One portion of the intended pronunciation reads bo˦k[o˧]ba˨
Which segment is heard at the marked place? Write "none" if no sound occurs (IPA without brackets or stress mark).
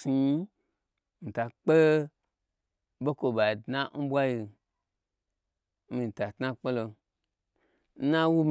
o˧